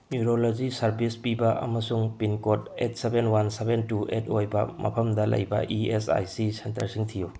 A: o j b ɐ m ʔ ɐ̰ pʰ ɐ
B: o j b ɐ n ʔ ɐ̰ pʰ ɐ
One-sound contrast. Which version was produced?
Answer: A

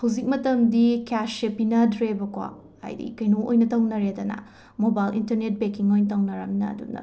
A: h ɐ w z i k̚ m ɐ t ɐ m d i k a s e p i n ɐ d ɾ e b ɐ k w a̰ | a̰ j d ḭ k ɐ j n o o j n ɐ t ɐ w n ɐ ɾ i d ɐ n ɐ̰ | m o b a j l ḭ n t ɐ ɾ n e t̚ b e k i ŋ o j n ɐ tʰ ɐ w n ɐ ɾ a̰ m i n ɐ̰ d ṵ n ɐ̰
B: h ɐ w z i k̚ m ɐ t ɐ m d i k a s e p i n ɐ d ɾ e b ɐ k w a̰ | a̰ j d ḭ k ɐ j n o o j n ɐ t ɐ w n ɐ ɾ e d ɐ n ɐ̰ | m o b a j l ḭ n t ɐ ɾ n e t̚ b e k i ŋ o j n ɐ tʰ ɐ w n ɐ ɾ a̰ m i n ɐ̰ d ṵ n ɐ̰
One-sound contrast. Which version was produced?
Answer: B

